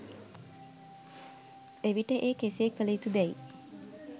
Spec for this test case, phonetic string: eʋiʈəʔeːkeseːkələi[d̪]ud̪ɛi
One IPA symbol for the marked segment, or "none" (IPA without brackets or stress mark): t̪